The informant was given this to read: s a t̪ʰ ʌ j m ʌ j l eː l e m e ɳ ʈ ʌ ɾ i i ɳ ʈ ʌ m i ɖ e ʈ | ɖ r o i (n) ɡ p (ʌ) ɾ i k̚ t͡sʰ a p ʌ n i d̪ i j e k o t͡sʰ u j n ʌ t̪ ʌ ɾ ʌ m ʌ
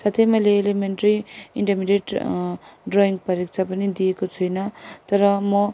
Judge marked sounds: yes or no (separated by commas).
no, yes